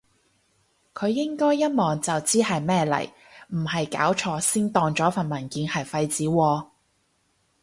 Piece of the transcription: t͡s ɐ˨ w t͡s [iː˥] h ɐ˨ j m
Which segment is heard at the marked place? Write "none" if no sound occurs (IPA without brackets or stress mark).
iː˥